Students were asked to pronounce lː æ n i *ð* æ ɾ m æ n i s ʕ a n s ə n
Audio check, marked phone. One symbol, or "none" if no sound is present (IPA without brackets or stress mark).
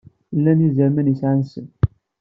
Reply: z